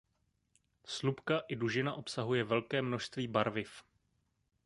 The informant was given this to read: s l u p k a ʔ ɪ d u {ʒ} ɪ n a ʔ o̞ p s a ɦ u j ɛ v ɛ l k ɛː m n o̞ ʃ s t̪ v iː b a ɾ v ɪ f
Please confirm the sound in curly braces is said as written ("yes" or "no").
yes